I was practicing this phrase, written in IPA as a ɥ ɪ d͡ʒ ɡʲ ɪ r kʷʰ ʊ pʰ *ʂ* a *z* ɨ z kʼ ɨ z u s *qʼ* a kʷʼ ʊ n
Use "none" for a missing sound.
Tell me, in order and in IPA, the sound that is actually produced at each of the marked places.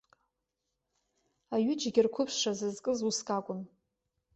ʂ, z, kʼ

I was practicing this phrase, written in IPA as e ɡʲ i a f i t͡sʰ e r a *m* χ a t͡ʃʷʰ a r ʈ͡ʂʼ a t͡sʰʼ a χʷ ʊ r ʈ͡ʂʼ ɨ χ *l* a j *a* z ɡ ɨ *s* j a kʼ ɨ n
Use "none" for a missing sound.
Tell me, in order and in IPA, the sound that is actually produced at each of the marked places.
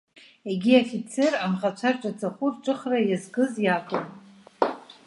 m, r, a, z

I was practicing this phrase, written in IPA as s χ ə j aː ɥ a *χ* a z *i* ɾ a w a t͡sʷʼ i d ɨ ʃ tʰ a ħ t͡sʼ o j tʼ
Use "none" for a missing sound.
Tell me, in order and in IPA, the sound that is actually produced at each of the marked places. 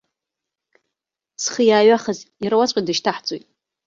χ, i

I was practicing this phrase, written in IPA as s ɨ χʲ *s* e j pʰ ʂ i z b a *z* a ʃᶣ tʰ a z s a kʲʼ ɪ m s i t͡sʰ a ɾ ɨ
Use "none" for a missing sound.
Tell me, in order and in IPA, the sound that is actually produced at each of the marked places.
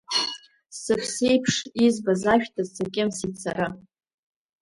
s, z

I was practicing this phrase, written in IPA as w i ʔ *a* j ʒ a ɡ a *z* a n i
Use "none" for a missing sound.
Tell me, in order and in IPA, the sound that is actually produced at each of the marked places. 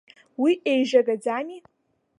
e, d͡z

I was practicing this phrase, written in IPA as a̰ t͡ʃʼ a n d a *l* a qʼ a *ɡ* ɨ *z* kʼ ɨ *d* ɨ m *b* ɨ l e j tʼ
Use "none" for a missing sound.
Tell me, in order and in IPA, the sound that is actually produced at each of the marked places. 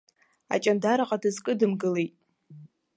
ɾ, d, z, d, ɡ

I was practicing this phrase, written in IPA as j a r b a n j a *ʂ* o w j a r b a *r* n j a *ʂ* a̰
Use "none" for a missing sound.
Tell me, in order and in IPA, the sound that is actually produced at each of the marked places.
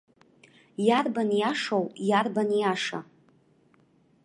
ʂ, none, ʂ

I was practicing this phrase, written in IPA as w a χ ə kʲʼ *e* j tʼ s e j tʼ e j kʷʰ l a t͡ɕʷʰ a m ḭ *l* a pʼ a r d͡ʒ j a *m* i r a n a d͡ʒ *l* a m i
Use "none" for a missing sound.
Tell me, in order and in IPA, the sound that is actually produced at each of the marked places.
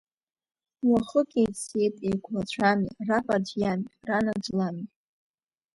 e, r, m, l

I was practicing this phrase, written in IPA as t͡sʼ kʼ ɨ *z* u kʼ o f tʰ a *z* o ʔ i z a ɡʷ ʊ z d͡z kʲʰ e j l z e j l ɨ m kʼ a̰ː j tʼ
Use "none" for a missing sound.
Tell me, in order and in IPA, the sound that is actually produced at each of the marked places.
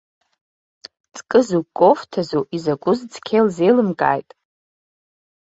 z, z

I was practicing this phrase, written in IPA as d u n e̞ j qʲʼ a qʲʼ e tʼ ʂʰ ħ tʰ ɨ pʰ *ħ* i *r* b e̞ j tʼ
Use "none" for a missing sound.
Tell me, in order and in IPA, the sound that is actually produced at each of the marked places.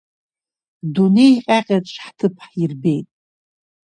ħ, r

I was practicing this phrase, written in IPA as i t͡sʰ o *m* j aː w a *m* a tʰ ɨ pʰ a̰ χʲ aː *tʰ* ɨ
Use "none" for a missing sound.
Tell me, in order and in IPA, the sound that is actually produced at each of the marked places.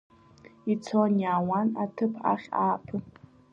n, n, pʰ

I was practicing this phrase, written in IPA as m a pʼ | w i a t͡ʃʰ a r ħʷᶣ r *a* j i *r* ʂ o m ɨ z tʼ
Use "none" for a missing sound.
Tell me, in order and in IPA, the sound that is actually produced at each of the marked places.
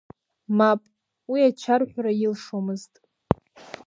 a, l

